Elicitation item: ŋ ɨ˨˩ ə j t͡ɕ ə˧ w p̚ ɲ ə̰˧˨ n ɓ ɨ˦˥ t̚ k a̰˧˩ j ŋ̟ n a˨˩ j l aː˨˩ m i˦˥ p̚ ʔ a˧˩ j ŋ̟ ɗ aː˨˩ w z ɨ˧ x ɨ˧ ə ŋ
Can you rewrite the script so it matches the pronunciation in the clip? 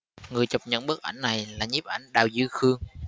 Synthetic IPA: ŋ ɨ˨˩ ə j t͡ɕ ə˨˩ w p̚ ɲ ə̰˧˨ n ɓ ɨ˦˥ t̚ ʔ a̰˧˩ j ŋ̟ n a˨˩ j l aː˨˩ ɲ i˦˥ p̚ ʔ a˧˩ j ŋ̟ ɗ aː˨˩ w z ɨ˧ x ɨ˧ ə ŋ